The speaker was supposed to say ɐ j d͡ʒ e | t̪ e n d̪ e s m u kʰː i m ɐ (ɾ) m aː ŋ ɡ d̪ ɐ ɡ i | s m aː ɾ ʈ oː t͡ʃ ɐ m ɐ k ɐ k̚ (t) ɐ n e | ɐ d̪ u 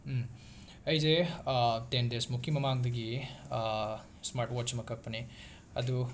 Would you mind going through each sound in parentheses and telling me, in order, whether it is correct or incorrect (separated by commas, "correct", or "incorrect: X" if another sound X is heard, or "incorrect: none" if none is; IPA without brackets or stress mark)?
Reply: incorrect: none, incorrect: p